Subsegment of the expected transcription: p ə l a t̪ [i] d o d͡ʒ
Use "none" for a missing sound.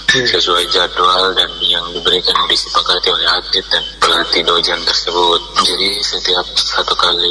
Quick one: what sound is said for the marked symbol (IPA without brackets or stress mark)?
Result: i